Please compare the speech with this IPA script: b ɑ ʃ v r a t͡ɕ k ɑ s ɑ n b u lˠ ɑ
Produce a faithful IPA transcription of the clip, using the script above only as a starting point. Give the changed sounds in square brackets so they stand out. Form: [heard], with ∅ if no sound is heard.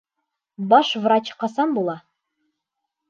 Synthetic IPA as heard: b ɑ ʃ v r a t͡ɕ [q] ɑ s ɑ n b u lˠ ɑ